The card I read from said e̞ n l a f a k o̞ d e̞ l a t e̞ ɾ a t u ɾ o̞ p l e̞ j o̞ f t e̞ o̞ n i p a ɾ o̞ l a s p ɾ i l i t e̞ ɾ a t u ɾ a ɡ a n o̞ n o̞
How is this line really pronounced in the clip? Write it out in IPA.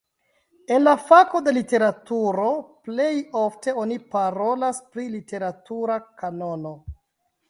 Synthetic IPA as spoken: e̞ n l a f a k o̞ d e̞ l i t e̞ ɾ a t u ɾ o̞ p l e̞ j o̞ f t e̞ o̞ n i p a ɾ o̞ l a s p ɾ i l i t e̞ ɾ a t u ɾ a k a n o̞ n o̞

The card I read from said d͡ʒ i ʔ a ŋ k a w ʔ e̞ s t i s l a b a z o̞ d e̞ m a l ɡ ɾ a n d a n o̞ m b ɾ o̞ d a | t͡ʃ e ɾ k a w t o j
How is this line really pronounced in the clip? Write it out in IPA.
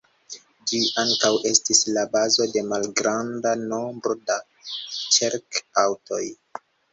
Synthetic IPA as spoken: d͡ʒ i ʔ a ŋ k a w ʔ e̞ s t i s l a b a z o̞ d e̞ m a l ɡ ɾ a n d a n o̞ m b ɾ o̞ d a | t͡ʃ e ɾ k a w t o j

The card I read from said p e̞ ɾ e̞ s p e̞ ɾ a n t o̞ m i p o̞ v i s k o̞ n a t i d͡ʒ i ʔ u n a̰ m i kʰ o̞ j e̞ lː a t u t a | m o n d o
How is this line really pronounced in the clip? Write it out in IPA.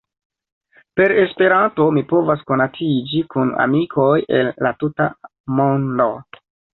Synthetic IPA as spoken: p e̞ ɾ e̞ s p e̞ ɾ a n t o̞ m i p o̞ v a s k o̞ n a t i d͡ʒ i k u n a̰ m i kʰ o̞ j e̞ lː a t u t a | m o n d o

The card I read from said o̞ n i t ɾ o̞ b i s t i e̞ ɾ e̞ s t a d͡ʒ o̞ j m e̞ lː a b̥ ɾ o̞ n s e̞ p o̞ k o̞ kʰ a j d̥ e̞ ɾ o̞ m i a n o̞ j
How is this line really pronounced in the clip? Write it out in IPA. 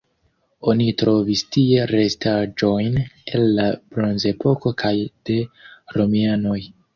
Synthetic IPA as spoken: o̞ n i t ɾ o̞ v i s t i e̞ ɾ e̞ s t a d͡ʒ o̞ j n e̞ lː a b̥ ɾ o̞ n z e̞ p o̞ k o̞ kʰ a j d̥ e̞ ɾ o̞ m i a n o̞ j

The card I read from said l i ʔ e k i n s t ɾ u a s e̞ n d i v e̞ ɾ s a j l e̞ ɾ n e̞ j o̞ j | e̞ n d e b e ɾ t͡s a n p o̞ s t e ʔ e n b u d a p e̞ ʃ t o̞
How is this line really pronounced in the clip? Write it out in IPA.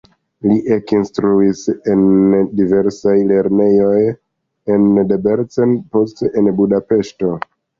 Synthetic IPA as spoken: l i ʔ e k i n s t ɾ u i s e̞ n d i v e̞ ɾ s a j l e̞ ɾ n e̞ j o̞ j | e̞ n d e b e ɾ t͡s e n p o̞ s t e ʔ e n b u d a p e̞ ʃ t o̞

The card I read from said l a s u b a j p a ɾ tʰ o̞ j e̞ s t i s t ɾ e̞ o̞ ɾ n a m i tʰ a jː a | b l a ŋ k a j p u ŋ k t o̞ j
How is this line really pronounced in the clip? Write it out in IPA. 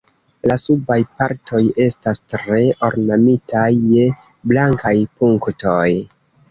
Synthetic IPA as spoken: l a s u b a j p a ɾ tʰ o̞ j e̞ s t a s t ɾ e̞ o̞ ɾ n a m i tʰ a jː e | b l a ŋ k a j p u ŋ k t o̞ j

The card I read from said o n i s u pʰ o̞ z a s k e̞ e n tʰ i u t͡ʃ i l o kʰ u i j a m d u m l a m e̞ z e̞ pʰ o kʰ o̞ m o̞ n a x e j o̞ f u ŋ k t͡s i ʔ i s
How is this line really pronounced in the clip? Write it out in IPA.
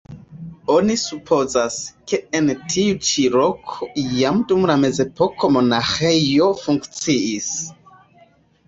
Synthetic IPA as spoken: o n i s u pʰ o̞ z a s k e̞ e n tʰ i u t͡ʃ i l o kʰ o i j a m d u m l a m e̞ z e̞ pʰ o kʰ o̞ m o̞ n a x e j o̞ f u ŋ k t͡s i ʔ i s

